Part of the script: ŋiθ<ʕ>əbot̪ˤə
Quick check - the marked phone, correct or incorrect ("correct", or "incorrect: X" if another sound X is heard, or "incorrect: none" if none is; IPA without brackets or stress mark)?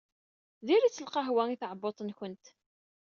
correct